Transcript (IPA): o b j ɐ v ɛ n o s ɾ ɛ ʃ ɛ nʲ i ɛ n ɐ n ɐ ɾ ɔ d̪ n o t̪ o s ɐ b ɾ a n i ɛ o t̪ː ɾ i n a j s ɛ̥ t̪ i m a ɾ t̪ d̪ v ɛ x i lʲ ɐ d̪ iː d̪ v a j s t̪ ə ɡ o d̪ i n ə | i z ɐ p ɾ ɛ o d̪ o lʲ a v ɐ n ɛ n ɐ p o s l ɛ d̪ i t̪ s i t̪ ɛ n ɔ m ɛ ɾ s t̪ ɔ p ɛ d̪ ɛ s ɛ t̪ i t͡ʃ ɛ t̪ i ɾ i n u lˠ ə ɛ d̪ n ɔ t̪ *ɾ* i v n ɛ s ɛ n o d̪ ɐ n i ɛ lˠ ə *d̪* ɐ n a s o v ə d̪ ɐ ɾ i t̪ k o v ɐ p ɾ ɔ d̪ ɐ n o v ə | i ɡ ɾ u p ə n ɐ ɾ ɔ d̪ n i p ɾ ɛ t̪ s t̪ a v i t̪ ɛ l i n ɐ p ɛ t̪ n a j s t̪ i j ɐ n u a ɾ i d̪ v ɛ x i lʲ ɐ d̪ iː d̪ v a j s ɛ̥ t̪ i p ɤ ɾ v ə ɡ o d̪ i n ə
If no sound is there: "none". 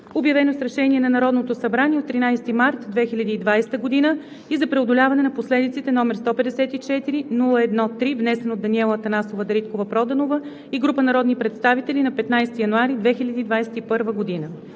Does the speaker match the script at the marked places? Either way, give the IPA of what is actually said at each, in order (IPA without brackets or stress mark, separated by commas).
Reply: ɾ, t̪